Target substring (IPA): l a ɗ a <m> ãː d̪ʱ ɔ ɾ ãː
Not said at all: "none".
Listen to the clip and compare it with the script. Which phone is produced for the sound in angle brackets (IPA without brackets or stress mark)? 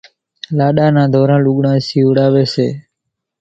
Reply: n